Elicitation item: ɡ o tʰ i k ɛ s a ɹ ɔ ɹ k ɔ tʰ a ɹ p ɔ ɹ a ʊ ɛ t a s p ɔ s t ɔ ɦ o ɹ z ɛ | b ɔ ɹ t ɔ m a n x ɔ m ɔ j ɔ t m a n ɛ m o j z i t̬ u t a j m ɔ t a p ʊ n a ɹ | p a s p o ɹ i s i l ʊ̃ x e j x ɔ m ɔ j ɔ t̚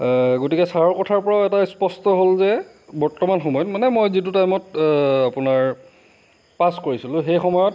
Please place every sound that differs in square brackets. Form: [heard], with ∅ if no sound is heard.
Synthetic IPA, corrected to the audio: ɡ o [t] i k ɛ s a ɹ ɔ ɹ k ɔ tʰ a ɹ p ɔ ɹ a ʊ ɛ t a s p ɔ s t ɔ ɦ o [l] z ɛ | b ɔ ɹ t ɔ m a n x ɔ m ɔ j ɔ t m a n ɛ m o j z i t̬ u t a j m ɔ t a p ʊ n a ɹ | p a s [k] o ɹ i s i l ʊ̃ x e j x ɔ m ɔ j ɔ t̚